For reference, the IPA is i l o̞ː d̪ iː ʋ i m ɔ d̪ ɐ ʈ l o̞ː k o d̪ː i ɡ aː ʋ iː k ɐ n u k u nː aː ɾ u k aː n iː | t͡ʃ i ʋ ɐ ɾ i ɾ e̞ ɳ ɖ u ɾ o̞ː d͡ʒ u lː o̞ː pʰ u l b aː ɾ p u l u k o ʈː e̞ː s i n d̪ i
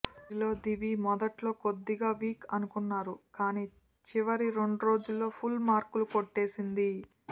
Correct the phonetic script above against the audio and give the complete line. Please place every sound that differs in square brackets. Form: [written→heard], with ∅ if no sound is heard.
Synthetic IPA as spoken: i l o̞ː d̪ [iː→i] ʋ i m ɔ d̪ ɐ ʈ l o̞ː k o d̪ː i ɡ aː ʋ iː k ɐ n u k u nː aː ɾ u k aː n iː | t͡ʃ i ʋ ɐ ɾ i ɾ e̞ ɳ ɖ u ɾ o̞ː d͡ʒ u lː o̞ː pʰ u l [b→m] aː ɾ [p→k] u l u k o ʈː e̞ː s i n d̪ i